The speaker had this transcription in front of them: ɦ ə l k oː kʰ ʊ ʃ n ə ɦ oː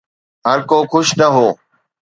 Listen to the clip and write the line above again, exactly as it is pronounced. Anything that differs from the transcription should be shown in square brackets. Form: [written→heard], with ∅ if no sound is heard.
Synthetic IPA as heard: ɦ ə [l→ɾ] k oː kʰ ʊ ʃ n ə ɦ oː